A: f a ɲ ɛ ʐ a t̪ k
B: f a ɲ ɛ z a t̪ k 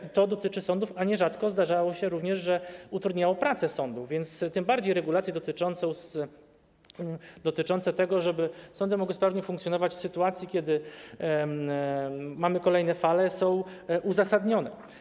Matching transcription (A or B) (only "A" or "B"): A